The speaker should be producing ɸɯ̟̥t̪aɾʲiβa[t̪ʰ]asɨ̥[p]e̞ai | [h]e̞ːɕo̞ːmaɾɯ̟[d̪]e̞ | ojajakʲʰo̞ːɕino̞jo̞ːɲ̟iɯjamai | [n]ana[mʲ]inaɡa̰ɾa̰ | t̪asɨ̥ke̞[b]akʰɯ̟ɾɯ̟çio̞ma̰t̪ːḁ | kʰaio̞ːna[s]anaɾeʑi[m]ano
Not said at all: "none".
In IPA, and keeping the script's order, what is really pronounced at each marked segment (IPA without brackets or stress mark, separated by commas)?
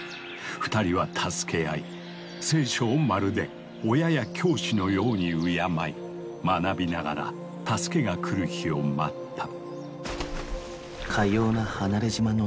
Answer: t̪ʰ, k, s, d̪, m, bʲ, ɡ, h, m